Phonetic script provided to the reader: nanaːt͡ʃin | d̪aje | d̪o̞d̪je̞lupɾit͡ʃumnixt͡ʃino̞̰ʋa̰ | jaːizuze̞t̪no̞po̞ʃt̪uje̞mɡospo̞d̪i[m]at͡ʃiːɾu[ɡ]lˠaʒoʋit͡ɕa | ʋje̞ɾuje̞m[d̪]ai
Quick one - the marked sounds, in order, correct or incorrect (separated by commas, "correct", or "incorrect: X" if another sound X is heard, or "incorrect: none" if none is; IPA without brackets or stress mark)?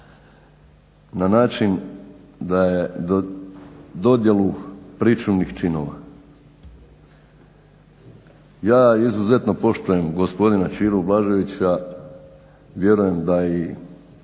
incorrect: n, incorrect: b, correct